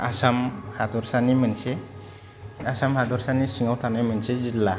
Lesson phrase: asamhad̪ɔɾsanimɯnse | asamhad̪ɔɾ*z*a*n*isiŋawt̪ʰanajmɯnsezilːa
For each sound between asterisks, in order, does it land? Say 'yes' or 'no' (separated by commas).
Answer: no, yes